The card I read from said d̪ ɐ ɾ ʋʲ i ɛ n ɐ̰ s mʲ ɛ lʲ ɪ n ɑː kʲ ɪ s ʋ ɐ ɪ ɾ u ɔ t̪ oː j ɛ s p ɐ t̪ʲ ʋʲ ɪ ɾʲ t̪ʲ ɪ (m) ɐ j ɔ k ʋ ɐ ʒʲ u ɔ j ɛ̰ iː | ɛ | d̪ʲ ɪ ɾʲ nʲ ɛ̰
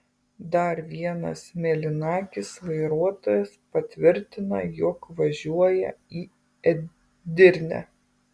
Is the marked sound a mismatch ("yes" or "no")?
yes